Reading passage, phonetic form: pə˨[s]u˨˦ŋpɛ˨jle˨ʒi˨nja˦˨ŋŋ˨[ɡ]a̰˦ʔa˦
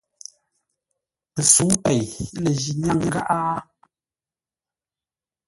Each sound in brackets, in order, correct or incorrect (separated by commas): correct, correct